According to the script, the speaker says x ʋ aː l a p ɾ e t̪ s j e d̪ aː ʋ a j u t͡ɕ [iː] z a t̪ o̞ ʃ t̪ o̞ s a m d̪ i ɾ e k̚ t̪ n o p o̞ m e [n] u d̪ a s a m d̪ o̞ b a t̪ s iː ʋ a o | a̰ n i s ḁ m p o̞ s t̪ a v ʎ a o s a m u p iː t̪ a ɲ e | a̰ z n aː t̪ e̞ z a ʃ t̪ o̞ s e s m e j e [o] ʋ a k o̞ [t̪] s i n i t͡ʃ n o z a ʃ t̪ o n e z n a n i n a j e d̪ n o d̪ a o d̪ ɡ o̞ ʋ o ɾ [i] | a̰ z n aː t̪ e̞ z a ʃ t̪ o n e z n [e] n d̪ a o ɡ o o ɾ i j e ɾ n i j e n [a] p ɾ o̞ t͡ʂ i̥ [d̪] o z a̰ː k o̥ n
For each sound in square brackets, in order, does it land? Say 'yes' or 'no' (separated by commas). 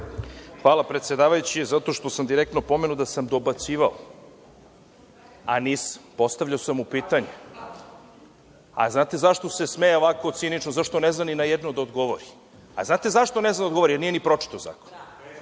no, yes, yes, yes, yes, no, no, no